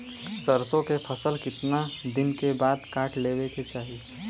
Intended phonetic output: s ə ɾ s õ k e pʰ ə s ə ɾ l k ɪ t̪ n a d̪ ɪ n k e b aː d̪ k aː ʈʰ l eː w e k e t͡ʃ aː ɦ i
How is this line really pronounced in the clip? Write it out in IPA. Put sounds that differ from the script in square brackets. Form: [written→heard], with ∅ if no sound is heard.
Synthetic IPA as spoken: s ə ɾ s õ k e pʰ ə s ə [ɾ→∅] l k ɪ t̪ n a d̪ ɪ n k e b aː d̪ k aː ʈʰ l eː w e k e t͡ʃ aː ɦ i

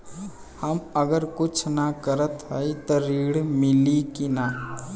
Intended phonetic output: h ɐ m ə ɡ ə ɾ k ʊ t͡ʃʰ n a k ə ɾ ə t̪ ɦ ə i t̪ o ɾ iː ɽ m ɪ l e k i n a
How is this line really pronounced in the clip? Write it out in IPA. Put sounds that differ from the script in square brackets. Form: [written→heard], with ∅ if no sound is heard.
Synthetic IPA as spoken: h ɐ m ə ɡ ə ɾ k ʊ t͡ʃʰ n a k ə ɾ ə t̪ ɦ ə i t̪ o ɾ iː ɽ m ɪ l [e→i] k i n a

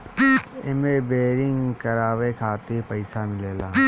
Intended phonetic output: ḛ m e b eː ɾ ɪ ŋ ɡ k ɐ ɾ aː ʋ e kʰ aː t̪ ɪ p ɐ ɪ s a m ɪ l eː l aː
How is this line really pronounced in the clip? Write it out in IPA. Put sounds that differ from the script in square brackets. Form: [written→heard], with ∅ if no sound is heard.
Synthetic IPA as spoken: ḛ m e b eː ɾ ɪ ŋ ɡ k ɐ ɾ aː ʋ e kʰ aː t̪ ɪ p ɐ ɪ s a m ɪ l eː l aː

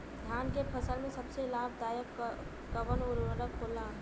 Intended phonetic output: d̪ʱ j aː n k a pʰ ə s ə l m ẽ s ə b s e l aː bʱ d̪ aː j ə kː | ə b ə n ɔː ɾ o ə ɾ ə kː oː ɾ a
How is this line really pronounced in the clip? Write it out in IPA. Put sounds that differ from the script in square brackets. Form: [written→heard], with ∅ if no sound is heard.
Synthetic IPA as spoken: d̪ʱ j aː n k [a→e] pʰ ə s ə l m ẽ s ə b s e l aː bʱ d̪ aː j ə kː | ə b ə n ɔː ɾ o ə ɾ ə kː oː [ɾ→l] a

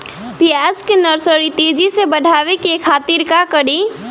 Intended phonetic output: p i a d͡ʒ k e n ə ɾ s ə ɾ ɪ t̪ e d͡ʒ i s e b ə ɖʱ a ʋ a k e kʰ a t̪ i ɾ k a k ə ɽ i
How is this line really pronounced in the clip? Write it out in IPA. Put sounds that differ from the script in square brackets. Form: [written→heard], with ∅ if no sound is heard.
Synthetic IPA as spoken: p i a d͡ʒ k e n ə ɾ s ə ɾ [ɪ→i] t̪ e d͡ʒ i s e b ə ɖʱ a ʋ [a→e] k e kʰ a t̪ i ɾ k a k ə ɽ i

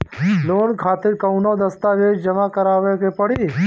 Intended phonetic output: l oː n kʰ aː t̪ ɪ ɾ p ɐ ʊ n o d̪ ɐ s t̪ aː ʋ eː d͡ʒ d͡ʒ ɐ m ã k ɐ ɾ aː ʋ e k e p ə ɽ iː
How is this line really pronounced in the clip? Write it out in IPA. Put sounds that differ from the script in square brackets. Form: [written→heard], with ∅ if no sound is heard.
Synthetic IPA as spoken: l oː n kʰ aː t̪ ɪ ɾ [p→k] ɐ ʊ n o d̪ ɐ s t̪ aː ʋ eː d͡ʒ d͡ʒ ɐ m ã k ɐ ɾ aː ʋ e k e p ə ɽ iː

